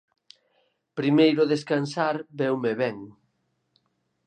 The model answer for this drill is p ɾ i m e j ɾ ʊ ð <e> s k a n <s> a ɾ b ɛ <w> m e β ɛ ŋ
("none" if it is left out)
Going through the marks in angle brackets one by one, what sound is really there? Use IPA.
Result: e, s, w

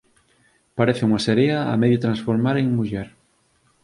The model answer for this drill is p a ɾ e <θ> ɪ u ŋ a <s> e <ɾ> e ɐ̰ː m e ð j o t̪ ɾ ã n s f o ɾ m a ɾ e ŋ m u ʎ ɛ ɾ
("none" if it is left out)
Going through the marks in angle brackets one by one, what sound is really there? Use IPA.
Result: θ, s, ɾ

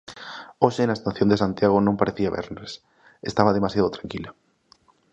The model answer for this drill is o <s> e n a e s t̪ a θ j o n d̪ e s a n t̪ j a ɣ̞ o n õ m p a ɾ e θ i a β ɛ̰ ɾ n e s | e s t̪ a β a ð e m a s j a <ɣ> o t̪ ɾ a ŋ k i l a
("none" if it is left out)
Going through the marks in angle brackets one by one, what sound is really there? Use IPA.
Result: ʃ, ð

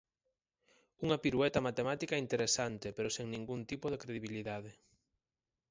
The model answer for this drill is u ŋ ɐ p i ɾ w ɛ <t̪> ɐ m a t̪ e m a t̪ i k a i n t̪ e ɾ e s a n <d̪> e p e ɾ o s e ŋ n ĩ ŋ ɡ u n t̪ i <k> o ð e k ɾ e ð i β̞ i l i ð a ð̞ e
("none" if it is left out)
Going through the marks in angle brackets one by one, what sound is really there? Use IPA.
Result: t̪, t̪, p

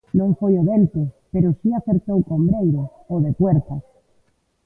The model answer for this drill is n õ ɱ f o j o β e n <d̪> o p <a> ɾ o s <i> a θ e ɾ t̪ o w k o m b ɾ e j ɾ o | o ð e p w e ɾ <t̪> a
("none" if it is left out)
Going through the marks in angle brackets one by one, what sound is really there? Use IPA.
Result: t̪, e, i, t̪

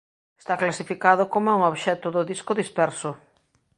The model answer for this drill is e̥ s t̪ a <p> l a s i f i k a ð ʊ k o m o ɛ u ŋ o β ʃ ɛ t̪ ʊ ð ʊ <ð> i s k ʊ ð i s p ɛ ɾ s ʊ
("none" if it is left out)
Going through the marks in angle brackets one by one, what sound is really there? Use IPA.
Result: k, ð

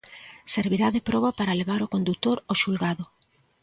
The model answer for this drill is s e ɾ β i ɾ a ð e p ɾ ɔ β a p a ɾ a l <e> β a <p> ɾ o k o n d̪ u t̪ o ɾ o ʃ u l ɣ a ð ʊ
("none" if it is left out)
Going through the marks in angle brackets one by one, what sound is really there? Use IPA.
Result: e, none

